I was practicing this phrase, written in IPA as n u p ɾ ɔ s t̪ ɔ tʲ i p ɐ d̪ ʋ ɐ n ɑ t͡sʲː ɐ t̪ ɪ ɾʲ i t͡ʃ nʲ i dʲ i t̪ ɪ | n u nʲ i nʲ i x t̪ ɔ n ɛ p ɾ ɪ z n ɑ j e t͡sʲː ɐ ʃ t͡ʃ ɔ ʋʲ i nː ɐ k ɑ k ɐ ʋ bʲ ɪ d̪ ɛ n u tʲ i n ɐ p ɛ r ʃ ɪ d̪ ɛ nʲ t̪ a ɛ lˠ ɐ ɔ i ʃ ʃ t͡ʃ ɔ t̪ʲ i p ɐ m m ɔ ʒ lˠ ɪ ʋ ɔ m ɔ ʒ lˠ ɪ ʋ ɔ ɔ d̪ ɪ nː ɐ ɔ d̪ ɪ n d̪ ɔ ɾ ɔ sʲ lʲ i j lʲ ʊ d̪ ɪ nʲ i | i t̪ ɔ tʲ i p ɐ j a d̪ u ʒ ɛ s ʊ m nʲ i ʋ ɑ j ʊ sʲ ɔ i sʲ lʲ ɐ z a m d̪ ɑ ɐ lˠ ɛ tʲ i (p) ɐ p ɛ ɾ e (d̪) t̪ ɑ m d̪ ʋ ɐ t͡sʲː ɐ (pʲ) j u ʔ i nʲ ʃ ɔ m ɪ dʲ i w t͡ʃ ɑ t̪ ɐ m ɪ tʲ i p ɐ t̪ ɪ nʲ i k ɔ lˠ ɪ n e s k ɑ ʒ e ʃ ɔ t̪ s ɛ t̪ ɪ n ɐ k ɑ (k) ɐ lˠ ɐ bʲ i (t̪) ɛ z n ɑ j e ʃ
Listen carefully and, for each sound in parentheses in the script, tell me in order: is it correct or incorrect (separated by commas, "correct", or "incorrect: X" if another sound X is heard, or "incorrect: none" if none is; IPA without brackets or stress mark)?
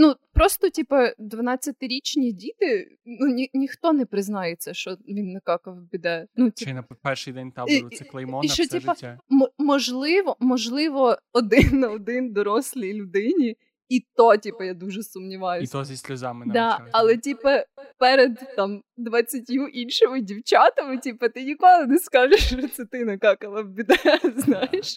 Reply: correct, correct, incorrect: tʲ, correct, incorrect: d̪